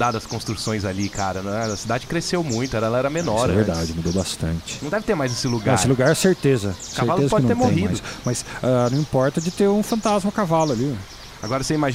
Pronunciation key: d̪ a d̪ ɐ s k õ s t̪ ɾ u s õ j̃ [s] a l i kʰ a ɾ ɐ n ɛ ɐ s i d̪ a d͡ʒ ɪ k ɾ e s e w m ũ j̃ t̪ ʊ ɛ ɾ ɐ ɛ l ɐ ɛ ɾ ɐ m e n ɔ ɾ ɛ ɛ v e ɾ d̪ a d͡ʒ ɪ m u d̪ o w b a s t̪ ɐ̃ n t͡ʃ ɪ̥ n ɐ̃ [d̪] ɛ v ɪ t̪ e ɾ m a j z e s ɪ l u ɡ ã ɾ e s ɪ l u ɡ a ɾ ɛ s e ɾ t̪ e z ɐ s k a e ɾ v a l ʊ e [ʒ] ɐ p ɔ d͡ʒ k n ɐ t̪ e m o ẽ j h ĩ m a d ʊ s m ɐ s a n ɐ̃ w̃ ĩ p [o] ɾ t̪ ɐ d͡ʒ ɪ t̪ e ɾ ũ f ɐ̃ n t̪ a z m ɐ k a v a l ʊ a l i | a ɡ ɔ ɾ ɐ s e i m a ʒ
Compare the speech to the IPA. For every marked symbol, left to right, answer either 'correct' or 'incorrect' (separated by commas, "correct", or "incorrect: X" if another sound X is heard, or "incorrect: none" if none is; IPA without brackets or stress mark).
incorrect: z, correct, incorrect: z, incorrect: ɔ